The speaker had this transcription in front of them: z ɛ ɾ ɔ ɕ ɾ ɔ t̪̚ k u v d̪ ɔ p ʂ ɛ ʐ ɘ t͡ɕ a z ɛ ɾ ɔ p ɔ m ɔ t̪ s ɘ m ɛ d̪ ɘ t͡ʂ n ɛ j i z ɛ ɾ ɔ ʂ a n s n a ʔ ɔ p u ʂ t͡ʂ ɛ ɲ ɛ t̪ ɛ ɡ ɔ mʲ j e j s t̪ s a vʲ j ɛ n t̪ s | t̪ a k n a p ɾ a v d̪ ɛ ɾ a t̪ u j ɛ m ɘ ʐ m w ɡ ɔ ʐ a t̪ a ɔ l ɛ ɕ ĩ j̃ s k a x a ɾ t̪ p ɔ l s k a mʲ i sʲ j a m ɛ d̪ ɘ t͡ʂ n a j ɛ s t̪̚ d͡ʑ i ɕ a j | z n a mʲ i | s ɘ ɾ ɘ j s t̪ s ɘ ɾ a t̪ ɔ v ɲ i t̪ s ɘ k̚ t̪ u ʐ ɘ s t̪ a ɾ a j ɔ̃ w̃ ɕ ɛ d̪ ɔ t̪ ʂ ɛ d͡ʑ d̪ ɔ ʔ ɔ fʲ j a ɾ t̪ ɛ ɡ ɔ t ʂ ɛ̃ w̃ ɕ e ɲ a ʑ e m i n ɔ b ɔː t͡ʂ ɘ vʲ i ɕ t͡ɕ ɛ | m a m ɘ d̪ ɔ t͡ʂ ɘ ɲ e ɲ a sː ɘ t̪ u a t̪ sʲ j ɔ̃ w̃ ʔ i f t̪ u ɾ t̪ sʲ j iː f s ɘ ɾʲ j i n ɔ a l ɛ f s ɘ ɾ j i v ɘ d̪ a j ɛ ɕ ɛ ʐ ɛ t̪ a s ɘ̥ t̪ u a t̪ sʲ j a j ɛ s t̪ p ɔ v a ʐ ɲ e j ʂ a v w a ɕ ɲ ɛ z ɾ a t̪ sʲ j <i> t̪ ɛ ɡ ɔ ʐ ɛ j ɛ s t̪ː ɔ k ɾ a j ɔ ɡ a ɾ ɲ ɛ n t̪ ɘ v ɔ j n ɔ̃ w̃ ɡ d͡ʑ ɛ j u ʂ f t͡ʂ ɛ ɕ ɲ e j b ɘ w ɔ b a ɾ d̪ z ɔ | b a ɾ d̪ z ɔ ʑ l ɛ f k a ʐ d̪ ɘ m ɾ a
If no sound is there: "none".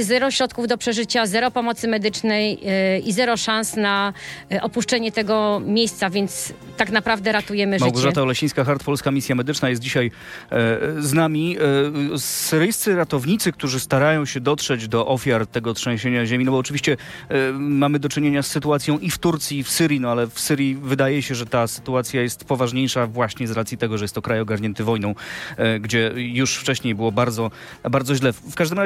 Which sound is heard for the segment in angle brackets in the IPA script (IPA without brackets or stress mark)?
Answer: i